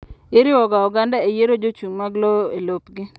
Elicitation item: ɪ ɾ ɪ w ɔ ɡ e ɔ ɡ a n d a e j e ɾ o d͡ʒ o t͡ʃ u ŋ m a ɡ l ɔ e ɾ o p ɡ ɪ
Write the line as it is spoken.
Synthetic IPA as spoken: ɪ ɾ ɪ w ɔ ɡ a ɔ ɡ a n d a e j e ɾ o d͡ʒ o t͡ʃ u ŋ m a ɡ l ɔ e l o p ɡ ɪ

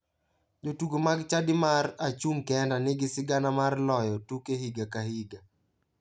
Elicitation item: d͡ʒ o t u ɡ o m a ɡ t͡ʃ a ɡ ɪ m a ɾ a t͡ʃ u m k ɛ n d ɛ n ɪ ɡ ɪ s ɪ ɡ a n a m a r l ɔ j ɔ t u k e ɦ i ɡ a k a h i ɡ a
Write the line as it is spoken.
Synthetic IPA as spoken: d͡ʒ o t u ɡ o m a ɡ t͡ʃ a d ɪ m a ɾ a t͡ʃ u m k ɛ n d a n ɪ ɡ ɪ s ɪ ɡ a n a m a r l ɔ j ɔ t u k e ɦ i ɡ a k a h i ɡ a

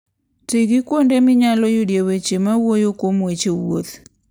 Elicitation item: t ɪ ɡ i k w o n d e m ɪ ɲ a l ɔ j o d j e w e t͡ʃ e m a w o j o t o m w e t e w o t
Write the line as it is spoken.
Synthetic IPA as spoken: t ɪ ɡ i k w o n d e m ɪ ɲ a l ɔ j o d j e w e t͡ʃ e m a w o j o k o m w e t͡ʃ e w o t

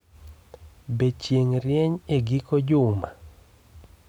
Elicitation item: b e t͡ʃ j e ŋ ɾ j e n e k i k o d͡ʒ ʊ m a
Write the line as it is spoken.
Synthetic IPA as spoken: b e t͡ʃ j e ŋ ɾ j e ɲ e ɡ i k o d͡ʒ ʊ m a

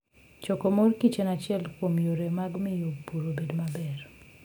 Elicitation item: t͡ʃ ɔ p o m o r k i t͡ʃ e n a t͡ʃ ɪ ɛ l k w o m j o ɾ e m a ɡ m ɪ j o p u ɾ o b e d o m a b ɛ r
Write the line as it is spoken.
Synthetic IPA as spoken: t͡ʃ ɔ k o m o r k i t͡ʃ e n a t͡ʃ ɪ ɛ l k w o m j o ɾ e m a ɡ m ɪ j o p u ɾ o b e d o m a b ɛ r

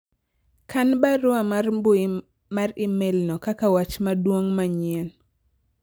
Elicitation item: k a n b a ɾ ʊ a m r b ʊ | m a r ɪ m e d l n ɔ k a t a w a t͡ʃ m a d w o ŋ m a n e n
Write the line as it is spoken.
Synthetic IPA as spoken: k a n b a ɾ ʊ a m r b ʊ | m a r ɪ m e l n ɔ k a k a w a t͡ʃ m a d w o ŋ m a ɲ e n

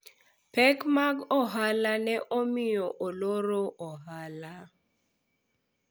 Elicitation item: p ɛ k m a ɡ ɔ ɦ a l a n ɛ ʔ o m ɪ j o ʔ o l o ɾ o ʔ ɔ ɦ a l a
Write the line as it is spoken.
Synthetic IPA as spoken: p ɛ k m a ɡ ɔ ɦ a l a n ɛ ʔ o m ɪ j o ʔ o l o ɾ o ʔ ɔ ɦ a l a

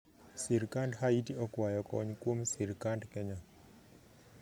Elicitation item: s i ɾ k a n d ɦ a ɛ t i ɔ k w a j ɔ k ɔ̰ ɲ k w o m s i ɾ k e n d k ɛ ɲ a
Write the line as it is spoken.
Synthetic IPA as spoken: s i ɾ k a n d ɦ a i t i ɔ k w a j ɔ k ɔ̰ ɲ k w o m s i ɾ k a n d k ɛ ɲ a

